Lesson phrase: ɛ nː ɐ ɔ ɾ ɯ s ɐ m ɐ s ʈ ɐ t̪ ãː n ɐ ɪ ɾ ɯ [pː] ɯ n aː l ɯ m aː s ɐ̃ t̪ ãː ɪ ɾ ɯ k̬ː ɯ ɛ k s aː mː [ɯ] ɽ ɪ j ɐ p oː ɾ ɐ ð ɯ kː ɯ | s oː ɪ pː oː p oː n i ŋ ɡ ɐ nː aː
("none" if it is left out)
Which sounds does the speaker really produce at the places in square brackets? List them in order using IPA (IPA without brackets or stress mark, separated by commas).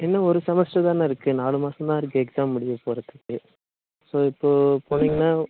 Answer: kː, ʊ